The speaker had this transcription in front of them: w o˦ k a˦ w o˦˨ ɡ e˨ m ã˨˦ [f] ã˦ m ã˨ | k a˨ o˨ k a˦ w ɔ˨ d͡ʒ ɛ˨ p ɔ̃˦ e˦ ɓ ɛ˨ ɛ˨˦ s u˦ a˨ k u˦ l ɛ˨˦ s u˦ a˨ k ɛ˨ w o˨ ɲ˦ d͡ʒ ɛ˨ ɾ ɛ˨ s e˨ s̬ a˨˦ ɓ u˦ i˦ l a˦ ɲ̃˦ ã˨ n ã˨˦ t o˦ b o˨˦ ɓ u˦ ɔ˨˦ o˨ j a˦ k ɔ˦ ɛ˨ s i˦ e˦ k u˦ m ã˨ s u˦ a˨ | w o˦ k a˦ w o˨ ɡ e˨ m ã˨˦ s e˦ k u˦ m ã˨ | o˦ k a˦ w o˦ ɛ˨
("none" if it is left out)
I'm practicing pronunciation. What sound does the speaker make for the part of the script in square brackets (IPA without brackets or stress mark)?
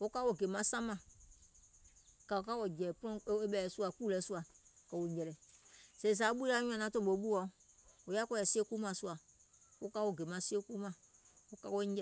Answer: s